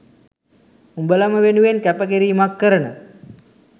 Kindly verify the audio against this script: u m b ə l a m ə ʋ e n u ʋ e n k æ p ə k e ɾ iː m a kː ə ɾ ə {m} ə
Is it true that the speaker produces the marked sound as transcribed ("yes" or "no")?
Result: no